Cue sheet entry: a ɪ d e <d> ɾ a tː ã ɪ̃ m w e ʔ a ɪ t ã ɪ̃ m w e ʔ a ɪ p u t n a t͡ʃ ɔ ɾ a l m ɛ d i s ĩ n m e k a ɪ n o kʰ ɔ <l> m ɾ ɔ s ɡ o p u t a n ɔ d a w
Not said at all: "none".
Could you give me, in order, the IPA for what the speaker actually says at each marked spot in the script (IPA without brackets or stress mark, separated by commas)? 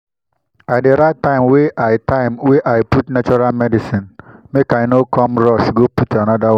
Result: none, none